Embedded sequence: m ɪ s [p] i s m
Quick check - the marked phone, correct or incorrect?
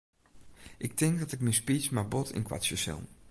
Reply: correct